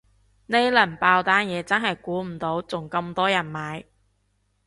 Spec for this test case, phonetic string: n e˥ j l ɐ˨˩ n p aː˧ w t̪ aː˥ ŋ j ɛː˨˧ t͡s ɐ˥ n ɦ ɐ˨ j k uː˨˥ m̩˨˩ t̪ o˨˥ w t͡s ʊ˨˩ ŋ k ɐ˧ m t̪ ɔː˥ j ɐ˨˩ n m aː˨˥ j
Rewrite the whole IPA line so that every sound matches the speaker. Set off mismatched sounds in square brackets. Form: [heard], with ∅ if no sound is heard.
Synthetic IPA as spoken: n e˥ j l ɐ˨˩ n p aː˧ w t̪ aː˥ [n] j ɛː˨˧ t͡s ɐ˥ n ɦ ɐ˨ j k uː˨˥ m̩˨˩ t̪ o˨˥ w t͡s ʊ˨˩ ŋ k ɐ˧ m t̪ ɔː˥ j ɐ˨˩ n m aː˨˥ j